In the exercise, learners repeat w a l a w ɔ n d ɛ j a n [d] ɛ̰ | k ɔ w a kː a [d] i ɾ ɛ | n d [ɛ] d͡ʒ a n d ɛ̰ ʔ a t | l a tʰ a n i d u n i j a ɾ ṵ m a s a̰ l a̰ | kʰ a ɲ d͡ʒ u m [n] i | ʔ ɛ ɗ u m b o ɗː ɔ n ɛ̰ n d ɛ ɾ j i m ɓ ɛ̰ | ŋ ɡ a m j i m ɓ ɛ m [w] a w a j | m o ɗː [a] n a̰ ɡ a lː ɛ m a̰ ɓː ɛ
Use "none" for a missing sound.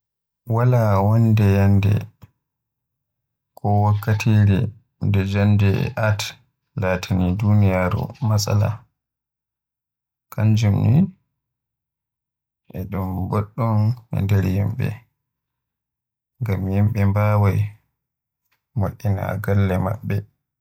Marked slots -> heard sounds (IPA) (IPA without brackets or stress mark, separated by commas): d, t, ɛ, n, b, i